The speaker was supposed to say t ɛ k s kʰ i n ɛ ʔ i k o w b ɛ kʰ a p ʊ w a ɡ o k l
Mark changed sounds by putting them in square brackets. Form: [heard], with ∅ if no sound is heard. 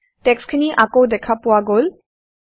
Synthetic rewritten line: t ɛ k s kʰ i n [i] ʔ [a] k o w [d] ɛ kʰ a p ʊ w a ɡ o [∅] l